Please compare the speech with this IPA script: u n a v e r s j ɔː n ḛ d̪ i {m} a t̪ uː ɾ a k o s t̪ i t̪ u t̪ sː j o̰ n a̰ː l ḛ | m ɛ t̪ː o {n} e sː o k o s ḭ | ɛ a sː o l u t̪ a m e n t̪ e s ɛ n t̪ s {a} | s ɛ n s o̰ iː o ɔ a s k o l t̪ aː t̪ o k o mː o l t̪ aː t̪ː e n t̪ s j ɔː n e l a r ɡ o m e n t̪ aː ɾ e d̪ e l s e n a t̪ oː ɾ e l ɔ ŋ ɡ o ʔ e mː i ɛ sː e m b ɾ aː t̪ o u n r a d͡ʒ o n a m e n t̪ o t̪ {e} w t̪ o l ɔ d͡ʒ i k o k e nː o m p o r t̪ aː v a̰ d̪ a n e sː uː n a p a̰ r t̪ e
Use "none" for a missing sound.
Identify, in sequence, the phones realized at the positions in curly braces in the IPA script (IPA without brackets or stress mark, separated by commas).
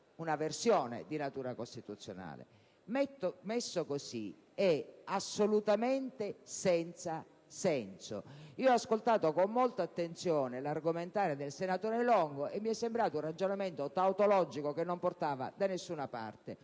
n, m, a, a